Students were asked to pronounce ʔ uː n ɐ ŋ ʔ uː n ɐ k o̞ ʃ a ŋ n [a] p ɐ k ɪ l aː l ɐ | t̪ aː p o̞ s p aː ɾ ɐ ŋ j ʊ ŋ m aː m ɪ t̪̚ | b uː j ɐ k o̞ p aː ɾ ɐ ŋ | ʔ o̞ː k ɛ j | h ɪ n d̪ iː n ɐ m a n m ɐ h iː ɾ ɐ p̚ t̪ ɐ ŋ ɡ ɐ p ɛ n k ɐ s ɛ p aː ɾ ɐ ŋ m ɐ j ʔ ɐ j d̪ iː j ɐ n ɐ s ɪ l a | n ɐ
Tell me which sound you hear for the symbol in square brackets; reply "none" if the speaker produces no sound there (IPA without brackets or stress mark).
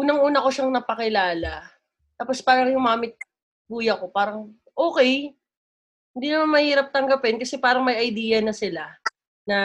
ɐ